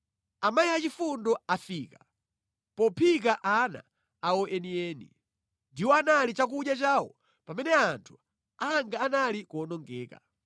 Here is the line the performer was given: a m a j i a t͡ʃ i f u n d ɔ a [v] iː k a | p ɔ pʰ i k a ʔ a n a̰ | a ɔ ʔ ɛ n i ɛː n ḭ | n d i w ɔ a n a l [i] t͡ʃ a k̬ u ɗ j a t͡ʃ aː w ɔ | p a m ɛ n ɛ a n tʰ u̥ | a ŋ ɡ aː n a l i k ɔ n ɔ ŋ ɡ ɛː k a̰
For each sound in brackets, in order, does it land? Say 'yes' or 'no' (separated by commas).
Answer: no, yes